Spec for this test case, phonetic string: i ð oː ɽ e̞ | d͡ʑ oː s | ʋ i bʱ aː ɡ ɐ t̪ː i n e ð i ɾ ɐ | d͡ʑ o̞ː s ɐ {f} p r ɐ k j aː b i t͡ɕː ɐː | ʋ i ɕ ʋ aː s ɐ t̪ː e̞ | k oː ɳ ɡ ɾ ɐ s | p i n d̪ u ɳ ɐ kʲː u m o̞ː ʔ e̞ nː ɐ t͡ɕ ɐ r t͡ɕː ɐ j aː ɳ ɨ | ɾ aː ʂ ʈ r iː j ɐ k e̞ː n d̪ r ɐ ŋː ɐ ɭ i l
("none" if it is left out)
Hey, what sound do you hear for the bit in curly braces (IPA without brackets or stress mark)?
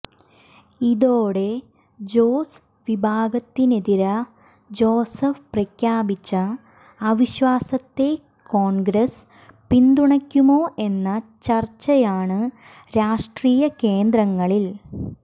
f